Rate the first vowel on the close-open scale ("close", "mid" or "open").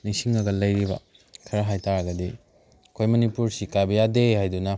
close